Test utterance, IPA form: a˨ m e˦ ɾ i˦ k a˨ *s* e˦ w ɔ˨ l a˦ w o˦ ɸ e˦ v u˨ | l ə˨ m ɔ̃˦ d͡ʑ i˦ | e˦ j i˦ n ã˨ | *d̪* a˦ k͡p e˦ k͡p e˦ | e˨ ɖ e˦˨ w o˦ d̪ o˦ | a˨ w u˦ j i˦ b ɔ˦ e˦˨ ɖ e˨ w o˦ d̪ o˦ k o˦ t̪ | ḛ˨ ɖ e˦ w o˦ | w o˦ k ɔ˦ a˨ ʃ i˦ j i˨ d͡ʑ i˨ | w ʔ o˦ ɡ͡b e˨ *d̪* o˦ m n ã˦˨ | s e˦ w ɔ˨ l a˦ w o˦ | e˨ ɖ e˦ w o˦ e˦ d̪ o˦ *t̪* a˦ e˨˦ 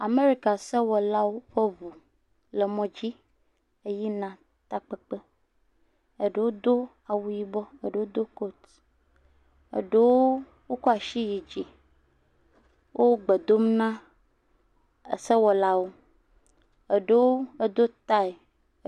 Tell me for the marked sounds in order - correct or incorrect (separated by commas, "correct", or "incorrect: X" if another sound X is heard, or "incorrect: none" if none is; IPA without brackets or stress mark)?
correct, incorrect: t̪, correct, correct